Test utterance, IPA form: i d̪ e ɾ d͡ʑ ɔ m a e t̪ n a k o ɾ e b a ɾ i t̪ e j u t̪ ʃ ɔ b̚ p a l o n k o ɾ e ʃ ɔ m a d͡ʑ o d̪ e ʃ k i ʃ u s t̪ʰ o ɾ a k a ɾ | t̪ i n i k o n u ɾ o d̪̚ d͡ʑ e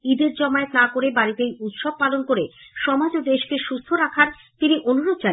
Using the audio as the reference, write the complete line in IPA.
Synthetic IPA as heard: i d̪ e ɾ d͡ʑ ɔ m a e t̪ n a k o ɾ e b a ɾ i t̪ e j u t̪ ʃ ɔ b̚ p a l o n k o ɾ e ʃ ɔ m a d͡ʑ o d̪ e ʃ k e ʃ u s t̪ʰ o ɾ a kʰ a ɾ | t̪ i n i ʔ o n u ɾ o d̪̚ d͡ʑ a

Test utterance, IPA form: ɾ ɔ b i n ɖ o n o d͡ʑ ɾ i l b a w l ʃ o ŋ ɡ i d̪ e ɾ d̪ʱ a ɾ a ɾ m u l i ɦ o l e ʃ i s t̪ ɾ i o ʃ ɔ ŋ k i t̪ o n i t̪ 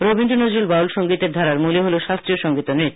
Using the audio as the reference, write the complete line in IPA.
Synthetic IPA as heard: ɾ o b i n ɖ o n o d͡ʑ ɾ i l b a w l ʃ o ŋ ɡ i t̪ e ɾ d̪ʱ a ɾ a ɾ m u l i ɦ o l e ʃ a s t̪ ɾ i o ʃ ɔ ŋ ɡ i t̪ o n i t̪

